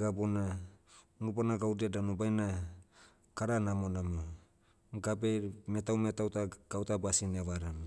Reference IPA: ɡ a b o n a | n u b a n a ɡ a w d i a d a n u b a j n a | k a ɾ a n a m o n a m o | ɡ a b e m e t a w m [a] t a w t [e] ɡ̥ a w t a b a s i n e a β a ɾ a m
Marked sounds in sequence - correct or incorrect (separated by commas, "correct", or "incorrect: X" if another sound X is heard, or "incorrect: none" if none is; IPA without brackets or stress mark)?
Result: incorrect: e, incorrect: a